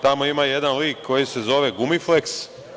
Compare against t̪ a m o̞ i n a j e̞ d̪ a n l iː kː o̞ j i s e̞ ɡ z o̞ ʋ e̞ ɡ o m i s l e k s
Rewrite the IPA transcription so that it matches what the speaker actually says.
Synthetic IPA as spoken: t̪ a m o̞ i m a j e̞ d̪ a n l iː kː o̞ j i s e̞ z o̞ ʋ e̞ ɡ u m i f l e k s